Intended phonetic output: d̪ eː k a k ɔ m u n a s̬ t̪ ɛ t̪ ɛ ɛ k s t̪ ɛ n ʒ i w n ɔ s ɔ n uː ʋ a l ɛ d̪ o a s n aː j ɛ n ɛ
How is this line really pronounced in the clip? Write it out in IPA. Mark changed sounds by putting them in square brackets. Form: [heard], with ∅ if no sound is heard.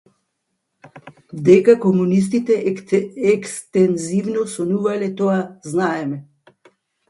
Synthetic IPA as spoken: d̪ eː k a k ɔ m u n [i] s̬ t̪ [i] t̪ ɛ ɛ k s t̪ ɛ n [z] i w n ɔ s ɔ n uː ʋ a l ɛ [t̪] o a [z] n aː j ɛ [m] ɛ